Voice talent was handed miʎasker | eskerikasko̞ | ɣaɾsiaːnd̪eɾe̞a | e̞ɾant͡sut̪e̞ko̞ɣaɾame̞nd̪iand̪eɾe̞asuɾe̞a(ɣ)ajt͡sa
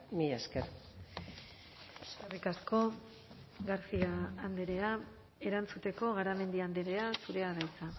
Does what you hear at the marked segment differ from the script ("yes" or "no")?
yes